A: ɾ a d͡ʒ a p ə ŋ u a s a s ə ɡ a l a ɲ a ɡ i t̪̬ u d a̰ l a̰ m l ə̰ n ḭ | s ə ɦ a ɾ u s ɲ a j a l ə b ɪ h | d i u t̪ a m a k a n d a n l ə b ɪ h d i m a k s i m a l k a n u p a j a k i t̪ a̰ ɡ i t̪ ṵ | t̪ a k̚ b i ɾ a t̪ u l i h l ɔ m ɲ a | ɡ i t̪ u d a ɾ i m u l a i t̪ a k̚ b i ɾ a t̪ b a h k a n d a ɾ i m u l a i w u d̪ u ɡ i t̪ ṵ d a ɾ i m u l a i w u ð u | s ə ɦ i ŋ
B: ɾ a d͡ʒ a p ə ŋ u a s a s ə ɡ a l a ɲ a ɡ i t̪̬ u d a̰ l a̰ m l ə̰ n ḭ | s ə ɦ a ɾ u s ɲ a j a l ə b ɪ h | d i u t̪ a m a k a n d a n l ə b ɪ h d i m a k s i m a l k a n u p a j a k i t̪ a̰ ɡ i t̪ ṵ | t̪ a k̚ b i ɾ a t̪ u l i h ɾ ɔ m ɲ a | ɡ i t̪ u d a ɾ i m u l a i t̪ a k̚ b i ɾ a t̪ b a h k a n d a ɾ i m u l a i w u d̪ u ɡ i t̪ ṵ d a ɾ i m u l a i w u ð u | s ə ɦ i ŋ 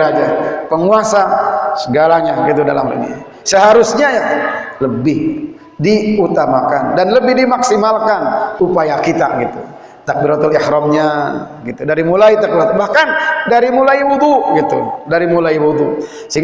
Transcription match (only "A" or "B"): B